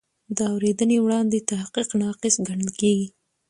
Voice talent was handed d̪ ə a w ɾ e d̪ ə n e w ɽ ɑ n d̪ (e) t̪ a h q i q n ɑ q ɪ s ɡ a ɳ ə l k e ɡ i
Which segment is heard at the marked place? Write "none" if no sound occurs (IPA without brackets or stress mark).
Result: e